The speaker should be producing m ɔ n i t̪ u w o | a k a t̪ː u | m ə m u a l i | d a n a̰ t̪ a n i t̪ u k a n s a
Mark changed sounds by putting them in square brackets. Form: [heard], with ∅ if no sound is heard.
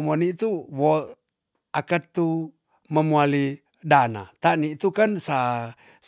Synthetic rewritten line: m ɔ n i t̪ u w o | a k a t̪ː u | m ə m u a l i | d a n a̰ t̪ a n i t̪ u k a n s a

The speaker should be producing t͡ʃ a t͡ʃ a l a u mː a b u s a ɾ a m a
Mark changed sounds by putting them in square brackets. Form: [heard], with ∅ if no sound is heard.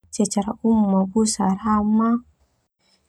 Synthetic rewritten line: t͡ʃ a t͡ʃ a [ɾ] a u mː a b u s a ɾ a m a

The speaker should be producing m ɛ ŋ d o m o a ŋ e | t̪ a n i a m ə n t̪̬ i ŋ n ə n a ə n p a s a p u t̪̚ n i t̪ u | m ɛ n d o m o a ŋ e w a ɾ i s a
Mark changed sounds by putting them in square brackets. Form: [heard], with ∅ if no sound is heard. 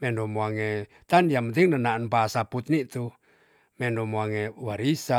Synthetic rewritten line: m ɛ [n] d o m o a ŋ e | t̪ a n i a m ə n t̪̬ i ŋ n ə n a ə n p a s a p u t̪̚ n i t̪ u | m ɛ n d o m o a ŋ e w a ɾ i s a

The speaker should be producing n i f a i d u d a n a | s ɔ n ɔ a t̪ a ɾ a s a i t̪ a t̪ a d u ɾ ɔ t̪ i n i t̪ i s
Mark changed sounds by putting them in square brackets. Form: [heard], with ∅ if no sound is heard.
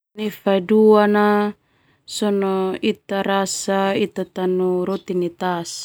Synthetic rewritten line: n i f a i d u [∅] a n a | s ɔ n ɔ [i] t̪ a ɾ a s a i t̪ a t̪ a [n] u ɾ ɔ t̪ i n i t̪ [a] s

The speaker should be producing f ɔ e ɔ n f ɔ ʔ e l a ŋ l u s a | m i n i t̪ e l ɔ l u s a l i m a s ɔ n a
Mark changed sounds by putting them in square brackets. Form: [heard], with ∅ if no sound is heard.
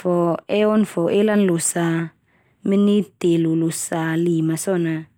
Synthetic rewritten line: f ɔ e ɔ n f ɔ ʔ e l a [n] l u s a | m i n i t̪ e l [u] l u s a l i m a s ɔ n a

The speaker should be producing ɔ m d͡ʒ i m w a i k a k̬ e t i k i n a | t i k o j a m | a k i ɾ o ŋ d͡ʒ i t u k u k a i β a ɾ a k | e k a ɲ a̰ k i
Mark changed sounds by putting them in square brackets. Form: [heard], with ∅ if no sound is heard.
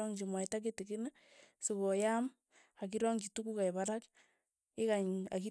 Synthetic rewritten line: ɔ [ŋ] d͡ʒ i m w a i [t] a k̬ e t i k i n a | [s] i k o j a m | a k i ɾ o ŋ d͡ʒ i t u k u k a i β a ɾ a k | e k a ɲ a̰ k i

